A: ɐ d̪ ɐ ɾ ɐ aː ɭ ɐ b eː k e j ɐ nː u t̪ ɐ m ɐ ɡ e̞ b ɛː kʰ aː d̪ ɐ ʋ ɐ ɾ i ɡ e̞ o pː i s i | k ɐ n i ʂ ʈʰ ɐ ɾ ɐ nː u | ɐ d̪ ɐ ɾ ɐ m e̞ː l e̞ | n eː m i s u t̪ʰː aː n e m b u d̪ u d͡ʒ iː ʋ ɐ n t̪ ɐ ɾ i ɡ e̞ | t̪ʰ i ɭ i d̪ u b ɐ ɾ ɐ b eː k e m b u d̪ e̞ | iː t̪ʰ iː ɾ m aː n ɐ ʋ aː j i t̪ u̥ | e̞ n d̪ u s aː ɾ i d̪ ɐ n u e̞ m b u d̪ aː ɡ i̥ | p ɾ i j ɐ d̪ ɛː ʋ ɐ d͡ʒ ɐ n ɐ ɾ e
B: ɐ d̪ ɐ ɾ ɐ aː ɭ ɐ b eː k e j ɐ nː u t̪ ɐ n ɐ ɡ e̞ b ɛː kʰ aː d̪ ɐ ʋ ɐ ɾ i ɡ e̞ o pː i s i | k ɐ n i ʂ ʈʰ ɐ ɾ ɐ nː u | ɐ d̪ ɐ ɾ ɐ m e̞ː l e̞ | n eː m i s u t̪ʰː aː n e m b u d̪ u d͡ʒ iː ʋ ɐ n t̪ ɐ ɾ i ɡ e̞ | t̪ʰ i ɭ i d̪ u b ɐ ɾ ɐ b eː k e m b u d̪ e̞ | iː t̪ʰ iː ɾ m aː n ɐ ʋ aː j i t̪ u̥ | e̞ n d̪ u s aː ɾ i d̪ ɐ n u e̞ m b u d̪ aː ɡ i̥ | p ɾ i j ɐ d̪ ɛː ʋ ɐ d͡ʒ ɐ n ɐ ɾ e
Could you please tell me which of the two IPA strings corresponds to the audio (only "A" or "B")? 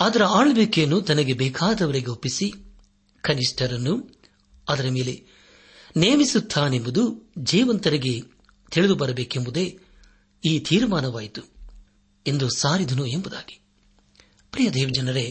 B